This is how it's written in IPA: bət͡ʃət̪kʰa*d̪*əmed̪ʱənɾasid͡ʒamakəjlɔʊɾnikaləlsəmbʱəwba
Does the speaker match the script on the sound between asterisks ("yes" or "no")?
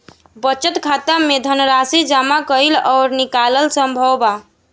no